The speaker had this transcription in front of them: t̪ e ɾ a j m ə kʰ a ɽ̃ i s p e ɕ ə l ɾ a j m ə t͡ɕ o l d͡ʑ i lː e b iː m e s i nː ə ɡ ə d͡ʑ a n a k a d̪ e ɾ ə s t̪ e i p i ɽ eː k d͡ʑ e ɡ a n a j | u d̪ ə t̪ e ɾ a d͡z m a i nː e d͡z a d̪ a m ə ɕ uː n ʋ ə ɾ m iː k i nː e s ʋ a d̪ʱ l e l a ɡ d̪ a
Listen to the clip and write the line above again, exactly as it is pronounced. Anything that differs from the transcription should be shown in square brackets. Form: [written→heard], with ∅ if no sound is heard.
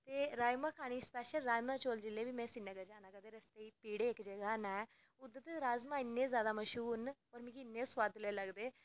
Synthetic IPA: t̪ e ɾ a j m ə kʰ a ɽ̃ i s p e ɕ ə l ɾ a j m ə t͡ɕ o l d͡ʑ i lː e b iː m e s i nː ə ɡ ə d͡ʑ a n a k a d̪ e ɾ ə s t̪ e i p i ɽ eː k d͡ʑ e ɡ a n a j | u d̪ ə t̪ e ɾ a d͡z m a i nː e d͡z a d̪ a m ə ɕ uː n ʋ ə ɾ m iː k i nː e s ʋ a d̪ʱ l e l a ɡ d̪ [a→e]